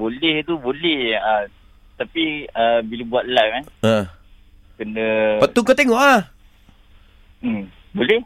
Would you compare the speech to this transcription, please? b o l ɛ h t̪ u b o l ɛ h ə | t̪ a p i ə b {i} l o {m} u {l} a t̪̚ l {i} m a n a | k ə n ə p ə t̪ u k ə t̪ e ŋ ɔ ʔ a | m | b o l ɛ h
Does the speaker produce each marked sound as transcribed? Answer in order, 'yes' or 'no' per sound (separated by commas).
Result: yes, no, no, no